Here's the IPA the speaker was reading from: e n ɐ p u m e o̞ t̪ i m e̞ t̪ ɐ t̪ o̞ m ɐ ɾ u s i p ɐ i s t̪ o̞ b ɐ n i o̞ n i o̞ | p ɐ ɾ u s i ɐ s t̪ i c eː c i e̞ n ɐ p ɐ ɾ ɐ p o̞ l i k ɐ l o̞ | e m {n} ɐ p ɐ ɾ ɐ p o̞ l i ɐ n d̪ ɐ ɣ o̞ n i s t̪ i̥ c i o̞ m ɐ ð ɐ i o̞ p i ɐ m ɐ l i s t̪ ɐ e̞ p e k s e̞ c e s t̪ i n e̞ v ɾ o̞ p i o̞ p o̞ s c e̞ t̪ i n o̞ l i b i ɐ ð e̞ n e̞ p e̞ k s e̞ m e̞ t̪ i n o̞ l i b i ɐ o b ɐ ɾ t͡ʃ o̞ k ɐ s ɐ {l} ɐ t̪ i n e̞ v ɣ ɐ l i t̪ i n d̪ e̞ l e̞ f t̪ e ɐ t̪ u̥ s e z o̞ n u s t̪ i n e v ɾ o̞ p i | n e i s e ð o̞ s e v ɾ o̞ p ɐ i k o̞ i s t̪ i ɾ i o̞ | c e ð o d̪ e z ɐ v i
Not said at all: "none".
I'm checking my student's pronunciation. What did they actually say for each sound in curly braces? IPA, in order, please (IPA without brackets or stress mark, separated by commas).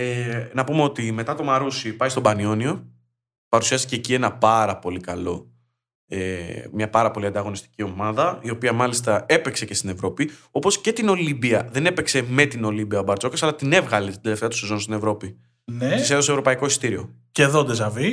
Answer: ɲ, l